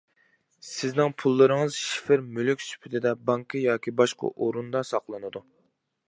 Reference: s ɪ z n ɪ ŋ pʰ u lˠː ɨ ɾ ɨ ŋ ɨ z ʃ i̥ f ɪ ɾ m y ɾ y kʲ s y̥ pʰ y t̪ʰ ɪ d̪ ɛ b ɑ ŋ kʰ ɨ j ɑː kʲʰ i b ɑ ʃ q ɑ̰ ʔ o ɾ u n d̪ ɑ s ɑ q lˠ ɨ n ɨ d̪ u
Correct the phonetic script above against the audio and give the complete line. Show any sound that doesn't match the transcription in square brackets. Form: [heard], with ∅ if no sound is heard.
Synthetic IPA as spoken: s ɪ z n ɪ ŋ pʰ u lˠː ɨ ɾ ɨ ŋ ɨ z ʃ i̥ f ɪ ɾ m y [l] y kʲ s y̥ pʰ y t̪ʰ ɪ d̪ ɛ b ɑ ŋ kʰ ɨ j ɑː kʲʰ i b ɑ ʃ q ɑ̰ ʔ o ɾ u n d̪ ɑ s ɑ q lˠ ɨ n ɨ d̪ u